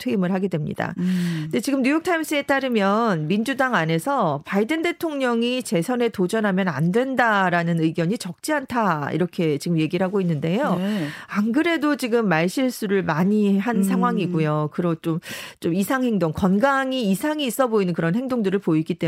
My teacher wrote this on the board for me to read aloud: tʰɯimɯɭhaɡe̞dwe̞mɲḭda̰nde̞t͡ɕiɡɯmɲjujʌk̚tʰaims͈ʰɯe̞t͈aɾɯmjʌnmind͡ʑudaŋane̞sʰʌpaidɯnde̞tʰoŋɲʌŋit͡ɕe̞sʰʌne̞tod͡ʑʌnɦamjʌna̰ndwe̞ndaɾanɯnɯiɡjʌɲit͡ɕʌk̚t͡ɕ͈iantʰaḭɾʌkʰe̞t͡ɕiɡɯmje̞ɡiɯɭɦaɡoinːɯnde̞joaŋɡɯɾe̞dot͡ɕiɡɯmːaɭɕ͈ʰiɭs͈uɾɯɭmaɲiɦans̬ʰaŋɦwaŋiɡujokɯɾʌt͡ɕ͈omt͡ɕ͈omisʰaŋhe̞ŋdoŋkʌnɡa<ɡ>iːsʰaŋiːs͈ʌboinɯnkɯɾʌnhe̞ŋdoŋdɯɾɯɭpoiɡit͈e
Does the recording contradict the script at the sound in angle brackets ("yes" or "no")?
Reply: yes